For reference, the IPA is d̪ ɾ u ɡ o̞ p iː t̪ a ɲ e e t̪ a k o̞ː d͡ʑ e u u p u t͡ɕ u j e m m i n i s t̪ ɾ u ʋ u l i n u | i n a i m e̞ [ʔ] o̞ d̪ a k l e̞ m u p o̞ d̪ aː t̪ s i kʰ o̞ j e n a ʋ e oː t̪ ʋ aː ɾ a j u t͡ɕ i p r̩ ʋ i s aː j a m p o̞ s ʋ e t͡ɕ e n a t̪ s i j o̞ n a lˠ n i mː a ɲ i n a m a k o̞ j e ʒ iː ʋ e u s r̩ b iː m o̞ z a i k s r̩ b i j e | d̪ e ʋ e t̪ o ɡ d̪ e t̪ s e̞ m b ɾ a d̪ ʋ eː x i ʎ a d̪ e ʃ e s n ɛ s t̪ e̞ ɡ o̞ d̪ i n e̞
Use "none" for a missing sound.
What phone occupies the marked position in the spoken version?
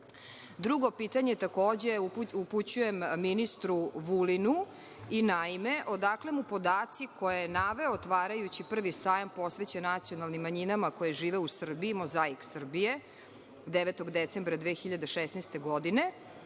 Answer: ʔ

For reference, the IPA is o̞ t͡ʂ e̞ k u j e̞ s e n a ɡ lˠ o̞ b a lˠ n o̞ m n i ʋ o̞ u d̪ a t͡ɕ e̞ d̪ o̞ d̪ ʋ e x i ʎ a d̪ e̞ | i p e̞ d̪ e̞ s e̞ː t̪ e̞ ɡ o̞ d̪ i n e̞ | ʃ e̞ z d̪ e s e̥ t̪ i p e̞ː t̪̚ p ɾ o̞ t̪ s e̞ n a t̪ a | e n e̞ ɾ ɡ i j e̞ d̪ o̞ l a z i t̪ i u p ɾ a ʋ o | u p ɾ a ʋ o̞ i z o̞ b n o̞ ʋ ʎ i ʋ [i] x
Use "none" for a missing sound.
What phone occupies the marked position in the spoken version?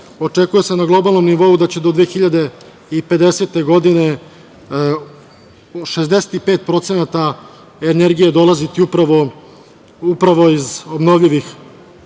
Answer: i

